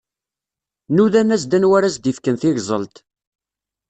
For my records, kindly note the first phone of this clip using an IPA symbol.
n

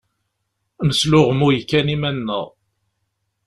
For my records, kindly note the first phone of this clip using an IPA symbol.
n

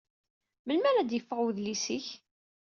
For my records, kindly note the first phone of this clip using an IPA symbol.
m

